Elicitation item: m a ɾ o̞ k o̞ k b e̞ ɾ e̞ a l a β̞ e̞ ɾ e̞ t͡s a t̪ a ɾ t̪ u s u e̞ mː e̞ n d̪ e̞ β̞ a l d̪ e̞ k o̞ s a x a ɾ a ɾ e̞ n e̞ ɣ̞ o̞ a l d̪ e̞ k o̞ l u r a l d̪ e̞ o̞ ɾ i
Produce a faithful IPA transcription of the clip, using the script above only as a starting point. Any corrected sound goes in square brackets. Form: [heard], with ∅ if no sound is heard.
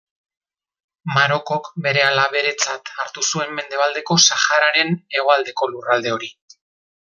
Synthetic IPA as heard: m a ɾ o̞ k o̞ k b e̞ ɾ e̞ a l a β̞ e̞ ɾ e̞ t͡s a t̪ a ɾ t̪ u s u e̞ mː e̞ n d̪ e̞ β̞ a l d̪ e̞ k o̞ s a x a ɾ a ɾ e̞ n e̞ ɣ̞ o̞ a l d̪ e̞ k o̞ l u r a l d̪ e̞ o̞ ɾ i